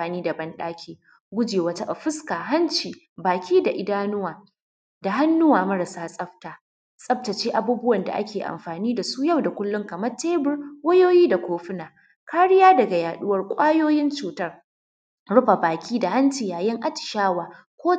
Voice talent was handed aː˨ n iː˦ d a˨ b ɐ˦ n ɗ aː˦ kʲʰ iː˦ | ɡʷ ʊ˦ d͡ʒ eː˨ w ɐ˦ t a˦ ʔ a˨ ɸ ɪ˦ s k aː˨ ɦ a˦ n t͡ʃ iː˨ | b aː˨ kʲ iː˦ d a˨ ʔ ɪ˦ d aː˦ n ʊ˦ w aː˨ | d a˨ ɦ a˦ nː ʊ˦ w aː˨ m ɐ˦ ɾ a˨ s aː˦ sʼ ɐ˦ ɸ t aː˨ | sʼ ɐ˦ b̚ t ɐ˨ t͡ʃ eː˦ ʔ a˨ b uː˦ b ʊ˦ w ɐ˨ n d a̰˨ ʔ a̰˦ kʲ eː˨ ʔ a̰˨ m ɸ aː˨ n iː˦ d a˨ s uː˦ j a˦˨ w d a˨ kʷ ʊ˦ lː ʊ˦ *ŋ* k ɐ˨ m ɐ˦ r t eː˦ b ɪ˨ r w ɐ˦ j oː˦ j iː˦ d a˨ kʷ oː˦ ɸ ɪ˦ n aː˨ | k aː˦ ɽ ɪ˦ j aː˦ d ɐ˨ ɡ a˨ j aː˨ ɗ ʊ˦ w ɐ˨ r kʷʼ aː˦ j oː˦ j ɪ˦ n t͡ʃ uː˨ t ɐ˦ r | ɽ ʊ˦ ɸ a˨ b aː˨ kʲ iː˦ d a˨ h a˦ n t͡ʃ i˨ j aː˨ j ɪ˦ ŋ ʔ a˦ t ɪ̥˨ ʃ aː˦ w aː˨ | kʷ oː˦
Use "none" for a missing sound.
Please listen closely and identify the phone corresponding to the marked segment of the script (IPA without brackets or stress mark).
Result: ŋ